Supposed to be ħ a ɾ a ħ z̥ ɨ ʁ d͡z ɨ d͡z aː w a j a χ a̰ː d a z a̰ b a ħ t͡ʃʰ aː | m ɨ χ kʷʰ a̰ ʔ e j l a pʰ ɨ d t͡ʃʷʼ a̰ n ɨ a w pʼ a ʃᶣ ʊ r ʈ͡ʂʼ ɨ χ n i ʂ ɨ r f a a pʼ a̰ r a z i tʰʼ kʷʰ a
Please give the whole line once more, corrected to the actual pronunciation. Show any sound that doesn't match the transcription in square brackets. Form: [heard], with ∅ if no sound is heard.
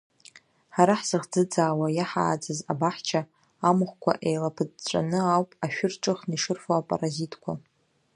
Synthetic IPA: ħ a ɾ a ħ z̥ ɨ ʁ d͡z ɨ d͡z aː w a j a [ħ] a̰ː [d͡z] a z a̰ b a ħ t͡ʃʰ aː | m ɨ χ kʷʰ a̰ ʔ e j l a pʰ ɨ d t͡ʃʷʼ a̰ n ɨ a w pʼ a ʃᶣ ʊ r ʈ͡ʂʼ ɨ χ n i ʂ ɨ r f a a pʼ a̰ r a z i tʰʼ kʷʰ a